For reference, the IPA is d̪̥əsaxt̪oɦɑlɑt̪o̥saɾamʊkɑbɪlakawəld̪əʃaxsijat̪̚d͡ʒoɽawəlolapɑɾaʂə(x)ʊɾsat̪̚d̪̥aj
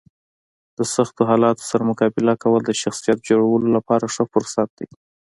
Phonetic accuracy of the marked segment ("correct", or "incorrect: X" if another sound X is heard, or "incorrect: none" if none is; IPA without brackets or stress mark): incorrect: f